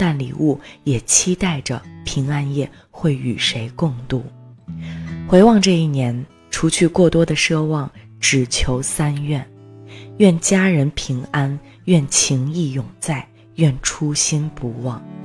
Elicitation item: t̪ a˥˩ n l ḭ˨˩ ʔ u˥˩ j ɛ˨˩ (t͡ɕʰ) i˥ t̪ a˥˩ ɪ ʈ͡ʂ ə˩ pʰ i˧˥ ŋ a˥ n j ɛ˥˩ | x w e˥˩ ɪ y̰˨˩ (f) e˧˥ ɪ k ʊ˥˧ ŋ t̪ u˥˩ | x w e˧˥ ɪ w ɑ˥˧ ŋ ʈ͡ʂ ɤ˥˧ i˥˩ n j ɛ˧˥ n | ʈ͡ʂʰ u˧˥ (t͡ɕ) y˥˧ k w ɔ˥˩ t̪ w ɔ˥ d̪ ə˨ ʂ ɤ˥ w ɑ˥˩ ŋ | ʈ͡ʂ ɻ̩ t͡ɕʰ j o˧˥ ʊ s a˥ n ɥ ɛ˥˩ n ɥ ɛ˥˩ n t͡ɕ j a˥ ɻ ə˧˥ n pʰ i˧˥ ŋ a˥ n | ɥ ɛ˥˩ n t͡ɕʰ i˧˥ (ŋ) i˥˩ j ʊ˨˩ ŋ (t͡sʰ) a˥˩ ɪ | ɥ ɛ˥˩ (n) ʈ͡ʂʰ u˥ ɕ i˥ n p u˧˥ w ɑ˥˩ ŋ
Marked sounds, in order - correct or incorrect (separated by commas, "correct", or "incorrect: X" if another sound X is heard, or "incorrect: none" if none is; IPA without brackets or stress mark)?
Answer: correct, incorrect: ʂ, incorrect: t͡ɕʰ, correct, incorrect: t͡s, correct